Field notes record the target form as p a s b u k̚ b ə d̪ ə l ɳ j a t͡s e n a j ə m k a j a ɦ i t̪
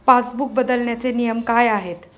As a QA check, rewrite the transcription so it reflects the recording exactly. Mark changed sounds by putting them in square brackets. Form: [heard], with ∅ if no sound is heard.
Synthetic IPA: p a s b u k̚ b ə d̪ ə l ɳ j a t͡s e n [i] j ə m k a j a ɦ [e] t̪